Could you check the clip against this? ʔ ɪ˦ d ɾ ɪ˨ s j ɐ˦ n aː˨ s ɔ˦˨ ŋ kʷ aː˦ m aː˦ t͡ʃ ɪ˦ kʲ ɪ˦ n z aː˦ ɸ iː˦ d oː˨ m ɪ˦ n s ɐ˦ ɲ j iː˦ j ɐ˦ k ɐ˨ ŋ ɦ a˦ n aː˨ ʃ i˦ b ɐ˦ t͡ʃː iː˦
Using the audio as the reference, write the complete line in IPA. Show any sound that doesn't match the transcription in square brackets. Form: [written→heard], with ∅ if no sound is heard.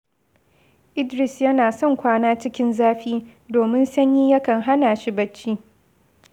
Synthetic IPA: ʔ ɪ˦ d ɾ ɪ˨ s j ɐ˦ n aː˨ s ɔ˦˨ ŋ kʷ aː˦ [m→n] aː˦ t͡ʃ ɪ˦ kʲ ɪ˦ n z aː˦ ɸ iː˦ d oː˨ m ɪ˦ n s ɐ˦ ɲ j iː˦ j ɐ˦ k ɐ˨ ŋ ɦ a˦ n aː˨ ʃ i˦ b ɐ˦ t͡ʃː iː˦